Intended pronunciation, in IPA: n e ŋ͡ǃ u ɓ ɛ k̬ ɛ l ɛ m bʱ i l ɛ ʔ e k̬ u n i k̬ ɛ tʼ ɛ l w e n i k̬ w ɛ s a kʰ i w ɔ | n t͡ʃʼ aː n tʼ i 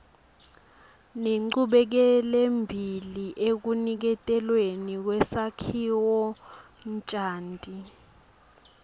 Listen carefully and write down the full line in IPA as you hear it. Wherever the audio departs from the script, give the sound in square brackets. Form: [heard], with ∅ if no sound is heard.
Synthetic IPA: n e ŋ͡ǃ u ɓ ɛ k̬ ɛ l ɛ m bʱ i l [i] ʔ e k̬ u n i k̬ ɛ tʼ ɛ l w e n i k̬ w ɛ s a kʰ i w ɔ | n t͡ʃʼ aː n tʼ i